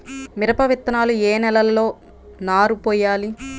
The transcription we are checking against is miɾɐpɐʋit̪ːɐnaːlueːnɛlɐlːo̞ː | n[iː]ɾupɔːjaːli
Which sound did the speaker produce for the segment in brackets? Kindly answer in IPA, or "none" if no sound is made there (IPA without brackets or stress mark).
aː